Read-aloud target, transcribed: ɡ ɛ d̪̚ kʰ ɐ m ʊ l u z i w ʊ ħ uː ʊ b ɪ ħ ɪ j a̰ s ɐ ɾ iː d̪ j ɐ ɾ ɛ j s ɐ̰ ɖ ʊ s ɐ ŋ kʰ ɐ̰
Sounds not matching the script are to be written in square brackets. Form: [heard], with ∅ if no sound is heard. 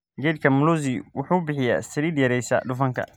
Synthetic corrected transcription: ɡ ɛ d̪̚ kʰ ɐ m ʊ l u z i w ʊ ħ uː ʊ b ɪ ħ ɪ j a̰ s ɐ ɾ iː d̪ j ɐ ɾ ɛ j s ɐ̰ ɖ ʊ [f] ɐ ŋ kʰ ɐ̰